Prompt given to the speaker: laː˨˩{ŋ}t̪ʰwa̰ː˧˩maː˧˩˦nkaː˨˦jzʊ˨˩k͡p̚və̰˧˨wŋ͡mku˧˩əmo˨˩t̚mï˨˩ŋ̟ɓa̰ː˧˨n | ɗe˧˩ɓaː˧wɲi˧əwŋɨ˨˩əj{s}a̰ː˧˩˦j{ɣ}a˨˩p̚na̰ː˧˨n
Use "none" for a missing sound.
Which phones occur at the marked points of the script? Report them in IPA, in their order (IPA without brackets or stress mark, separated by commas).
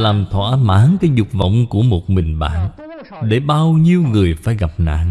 m, f, ɣ